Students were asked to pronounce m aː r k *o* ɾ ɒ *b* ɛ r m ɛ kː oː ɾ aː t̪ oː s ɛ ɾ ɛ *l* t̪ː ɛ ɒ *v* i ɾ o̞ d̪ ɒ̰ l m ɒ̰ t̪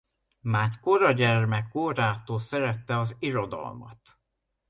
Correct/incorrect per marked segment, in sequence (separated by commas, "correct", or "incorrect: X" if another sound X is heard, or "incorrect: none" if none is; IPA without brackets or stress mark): correct, incorrect: ɟ, incorrect: none, incorrect: z